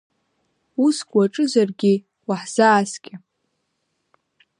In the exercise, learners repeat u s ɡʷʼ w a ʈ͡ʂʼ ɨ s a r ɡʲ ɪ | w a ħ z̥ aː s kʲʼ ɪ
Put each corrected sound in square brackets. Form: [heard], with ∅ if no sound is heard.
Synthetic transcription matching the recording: u s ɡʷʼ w a ʈ͡ʂʼ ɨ [z] a r ɡʲ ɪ | w a ħ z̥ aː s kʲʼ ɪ